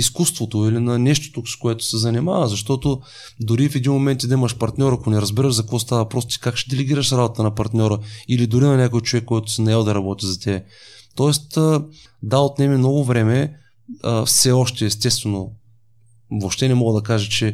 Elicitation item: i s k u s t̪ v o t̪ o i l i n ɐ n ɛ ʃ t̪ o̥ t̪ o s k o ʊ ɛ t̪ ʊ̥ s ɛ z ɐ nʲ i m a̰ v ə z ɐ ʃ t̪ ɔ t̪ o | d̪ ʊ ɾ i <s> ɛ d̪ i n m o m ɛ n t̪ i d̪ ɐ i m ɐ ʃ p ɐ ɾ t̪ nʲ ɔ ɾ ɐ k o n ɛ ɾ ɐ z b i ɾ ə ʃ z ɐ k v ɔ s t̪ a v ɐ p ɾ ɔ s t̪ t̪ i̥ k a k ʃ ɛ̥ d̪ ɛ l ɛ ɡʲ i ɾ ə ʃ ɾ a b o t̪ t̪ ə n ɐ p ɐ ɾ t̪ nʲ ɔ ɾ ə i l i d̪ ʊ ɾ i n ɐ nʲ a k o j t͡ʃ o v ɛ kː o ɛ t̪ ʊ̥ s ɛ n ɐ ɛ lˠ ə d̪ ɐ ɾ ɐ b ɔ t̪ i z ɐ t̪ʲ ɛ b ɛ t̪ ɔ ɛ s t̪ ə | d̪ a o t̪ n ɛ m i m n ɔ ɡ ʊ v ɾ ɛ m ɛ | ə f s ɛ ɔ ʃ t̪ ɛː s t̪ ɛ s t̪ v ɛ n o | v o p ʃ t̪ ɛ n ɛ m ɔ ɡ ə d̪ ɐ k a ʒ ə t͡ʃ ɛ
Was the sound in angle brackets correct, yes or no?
no